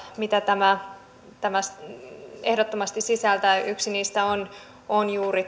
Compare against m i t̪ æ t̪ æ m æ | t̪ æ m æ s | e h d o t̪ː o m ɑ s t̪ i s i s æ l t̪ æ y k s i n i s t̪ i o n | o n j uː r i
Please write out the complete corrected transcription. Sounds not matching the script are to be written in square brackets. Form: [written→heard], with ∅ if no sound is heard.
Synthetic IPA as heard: m i t̪ æ t̪ æ m æ | t̪ æ m æ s | e h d o t̪ː o m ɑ s t̪ i s i s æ l t̪ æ y k s i n [i→iː] s t̪ [i→æ] o n | o n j uː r i